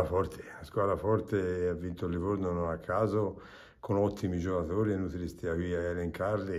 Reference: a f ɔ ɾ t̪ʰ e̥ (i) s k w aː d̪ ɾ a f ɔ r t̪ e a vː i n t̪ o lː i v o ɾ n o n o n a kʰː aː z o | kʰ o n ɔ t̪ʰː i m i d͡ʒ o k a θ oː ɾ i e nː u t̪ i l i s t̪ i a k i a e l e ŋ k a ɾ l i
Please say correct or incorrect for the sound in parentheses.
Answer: incorrect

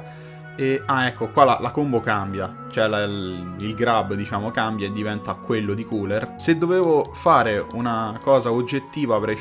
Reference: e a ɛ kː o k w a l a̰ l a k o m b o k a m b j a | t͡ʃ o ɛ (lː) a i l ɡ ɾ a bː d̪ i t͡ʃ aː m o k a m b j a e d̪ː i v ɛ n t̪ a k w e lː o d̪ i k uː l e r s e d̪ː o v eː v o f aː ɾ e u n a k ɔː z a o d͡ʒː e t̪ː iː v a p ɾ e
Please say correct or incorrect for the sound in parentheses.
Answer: incorrect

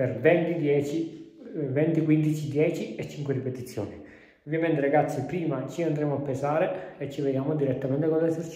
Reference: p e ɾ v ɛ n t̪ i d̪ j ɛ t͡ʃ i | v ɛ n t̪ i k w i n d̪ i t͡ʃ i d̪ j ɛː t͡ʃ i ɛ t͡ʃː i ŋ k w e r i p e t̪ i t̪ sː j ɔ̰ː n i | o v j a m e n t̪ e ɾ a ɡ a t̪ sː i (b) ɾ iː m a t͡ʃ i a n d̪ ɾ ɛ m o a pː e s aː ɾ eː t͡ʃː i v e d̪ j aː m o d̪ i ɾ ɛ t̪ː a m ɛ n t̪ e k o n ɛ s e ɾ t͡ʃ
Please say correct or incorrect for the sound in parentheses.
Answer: incorrect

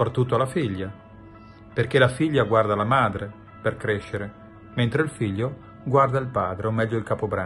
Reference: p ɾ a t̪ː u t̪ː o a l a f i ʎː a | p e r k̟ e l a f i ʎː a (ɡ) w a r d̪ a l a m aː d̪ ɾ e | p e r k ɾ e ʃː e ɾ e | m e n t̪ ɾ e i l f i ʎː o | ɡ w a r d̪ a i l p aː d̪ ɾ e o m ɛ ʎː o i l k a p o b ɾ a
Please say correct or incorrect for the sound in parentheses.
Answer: correct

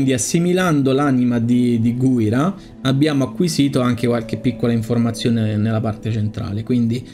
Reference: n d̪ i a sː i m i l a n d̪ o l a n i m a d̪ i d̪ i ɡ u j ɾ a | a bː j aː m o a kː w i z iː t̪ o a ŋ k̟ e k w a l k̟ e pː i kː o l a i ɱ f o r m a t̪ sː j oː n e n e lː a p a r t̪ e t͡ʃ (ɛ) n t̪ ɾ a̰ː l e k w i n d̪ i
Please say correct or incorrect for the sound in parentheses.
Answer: incorrect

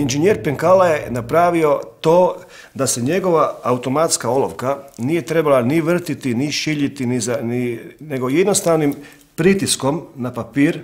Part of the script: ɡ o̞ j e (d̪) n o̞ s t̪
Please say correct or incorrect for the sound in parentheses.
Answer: correct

